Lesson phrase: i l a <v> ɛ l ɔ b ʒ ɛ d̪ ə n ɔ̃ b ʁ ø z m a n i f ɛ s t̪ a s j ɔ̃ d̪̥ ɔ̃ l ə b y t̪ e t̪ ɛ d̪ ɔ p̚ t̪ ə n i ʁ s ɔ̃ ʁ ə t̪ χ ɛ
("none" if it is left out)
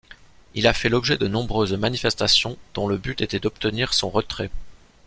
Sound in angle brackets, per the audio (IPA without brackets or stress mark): f